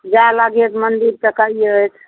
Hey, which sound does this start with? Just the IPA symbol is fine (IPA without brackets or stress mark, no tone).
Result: d͡ʒ